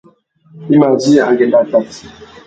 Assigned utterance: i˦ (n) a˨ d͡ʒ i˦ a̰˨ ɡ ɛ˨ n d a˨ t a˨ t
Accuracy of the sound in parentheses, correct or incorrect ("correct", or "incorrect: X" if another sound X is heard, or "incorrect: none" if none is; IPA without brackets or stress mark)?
incorrect: m